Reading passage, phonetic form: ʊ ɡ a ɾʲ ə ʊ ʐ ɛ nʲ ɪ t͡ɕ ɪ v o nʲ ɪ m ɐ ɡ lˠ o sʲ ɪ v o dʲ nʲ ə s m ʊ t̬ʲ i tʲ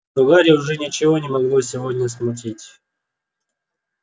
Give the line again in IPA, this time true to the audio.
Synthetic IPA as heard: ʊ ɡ a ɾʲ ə ʊ ʐ ɛ nʲ ɪ t͡ɕ ɪ v o nʲ ɪ m ɐ ɡ lˠ o sʲ ɪ v o dʲ nʲ ə s m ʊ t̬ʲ i tʲ